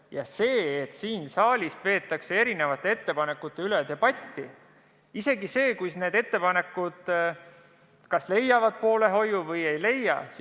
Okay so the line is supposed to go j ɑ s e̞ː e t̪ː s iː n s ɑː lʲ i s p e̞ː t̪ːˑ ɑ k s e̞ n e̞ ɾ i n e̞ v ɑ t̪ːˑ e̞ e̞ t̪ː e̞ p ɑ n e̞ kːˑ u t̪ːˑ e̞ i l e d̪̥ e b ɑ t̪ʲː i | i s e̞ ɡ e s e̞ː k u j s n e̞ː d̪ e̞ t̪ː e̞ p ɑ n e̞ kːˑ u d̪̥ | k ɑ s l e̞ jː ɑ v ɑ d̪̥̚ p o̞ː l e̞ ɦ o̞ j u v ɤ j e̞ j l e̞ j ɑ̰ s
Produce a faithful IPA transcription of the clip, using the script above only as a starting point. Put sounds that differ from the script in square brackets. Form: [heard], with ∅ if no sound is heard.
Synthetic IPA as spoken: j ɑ s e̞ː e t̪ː s iː n s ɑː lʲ i s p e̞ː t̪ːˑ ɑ k s e̞ [∅] e̞ ɾ i n e̞ v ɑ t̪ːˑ e̞ e̞ t̪ː e̞ p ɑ n e̞ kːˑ u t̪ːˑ e̞ [y] l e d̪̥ e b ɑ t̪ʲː i | i s e̞ ɡ [i] s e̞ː k u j s n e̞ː d̪ e̞ t̪ː e̞ p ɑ n e̞ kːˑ u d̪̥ | k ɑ s l e̞ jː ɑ v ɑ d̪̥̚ p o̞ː l e̞ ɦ o̞ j u v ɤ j e̞ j l e̞ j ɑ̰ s